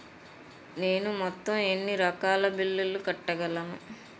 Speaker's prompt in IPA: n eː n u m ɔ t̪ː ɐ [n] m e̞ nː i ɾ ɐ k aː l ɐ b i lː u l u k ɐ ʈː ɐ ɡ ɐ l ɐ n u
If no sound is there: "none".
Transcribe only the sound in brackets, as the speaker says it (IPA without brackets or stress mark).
none